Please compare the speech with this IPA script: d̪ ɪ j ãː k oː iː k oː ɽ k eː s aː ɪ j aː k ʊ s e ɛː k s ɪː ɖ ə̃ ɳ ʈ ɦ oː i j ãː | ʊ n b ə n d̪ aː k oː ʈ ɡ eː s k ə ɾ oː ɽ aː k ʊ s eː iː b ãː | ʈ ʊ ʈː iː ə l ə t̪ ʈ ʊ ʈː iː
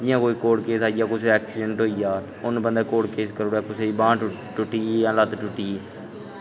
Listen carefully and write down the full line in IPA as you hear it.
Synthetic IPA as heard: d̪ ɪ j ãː k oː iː k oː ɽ k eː s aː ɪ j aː k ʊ s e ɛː k s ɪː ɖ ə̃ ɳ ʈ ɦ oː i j aː | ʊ n b ə n d̪ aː k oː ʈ k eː s k ə ɾ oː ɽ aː k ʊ s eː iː b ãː | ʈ ʊ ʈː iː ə l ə t̪ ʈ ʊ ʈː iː